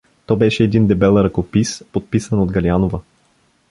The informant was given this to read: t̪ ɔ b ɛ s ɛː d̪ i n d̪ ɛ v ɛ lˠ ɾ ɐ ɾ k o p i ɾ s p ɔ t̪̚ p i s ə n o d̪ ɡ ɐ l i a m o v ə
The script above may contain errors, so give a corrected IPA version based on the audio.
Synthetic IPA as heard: t̪ ɔ b ɛ ʃ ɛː d̪ i n d̪ ɛ b ɛ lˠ ɾ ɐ k o p i s p o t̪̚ p i s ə n o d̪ ɡ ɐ l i a n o v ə